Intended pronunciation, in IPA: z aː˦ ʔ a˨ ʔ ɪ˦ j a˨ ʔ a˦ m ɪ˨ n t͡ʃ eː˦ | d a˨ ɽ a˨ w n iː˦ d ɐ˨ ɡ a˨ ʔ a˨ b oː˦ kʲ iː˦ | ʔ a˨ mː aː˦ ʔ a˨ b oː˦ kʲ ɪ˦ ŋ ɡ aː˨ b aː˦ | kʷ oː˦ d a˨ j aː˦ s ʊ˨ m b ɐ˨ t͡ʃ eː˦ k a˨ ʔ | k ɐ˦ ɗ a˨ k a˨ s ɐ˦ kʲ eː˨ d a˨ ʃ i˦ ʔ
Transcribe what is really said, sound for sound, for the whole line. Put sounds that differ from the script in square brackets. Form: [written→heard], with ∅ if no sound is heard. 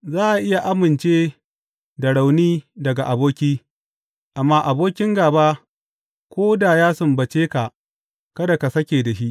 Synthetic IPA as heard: z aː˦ ʔ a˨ ʔ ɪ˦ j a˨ ʔ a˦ m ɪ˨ n t͡ʃ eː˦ | d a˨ ɽ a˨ w n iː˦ d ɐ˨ ɡ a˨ ʔ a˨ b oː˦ kʲ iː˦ | ʔ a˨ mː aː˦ ʔ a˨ b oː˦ kʲ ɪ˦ ŋ ɡ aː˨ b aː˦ | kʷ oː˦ d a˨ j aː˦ s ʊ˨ m b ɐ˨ t͡ʃ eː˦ k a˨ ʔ | k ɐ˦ [ɗ→d] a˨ k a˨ s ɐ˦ kʲ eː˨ d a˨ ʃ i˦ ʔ